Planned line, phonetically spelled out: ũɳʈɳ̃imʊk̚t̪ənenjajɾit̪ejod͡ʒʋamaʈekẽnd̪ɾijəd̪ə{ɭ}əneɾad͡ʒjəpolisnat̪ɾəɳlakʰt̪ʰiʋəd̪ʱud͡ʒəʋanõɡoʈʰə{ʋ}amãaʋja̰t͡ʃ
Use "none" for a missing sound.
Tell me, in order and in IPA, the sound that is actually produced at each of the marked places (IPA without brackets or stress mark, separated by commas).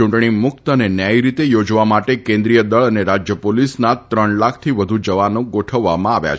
ɭ, ʋː